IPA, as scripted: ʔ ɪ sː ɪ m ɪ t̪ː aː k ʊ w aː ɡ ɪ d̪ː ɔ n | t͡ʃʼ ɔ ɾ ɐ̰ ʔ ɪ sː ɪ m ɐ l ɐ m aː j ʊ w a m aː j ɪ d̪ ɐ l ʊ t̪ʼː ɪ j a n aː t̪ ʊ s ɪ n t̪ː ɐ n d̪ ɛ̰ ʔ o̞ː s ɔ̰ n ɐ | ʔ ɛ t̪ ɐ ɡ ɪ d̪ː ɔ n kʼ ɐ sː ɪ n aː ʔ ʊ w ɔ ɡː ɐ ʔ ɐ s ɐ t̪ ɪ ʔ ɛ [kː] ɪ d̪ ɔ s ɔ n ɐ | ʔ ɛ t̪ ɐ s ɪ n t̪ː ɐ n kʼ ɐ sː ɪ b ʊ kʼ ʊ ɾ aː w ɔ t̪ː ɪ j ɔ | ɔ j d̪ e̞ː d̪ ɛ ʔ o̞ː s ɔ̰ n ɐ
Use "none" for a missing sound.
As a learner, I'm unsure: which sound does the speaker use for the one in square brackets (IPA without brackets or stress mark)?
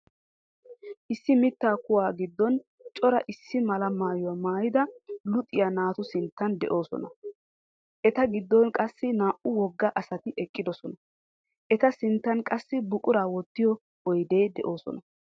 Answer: kʼː